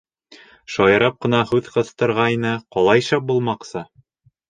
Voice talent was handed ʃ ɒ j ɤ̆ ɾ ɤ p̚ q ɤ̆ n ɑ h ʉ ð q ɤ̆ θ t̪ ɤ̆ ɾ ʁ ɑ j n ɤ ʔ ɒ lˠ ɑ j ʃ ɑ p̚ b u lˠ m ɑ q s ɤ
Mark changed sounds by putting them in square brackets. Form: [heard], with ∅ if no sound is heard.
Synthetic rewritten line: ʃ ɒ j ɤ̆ ɾ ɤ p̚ q ɤ̆ n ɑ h ʉ ð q ɤ̆ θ t̪ ɤ̆ ɾ ʁ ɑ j n ɤ [q] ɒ lˠ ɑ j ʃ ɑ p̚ b u lˠ m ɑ q s ɤ